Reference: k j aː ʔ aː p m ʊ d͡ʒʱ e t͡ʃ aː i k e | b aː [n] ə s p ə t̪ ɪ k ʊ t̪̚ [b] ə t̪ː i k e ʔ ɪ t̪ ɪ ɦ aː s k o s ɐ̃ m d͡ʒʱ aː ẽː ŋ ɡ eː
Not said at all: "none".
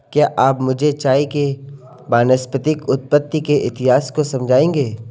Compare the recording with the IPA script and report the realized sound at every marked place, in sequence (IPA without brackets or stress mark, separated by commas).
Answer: n, p